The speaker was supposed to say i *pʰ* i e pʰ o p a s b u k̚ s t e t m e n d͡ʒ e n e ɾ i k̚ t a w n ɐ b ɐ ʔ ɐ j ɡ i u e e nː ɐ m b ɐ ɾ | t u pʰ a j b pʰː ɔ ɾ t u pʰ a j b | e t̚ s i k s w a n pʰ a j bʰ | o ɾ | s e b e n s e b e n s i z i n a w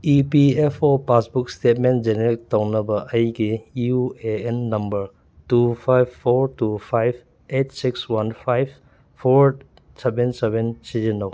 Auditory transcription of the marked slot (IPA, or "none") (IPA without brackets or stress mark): p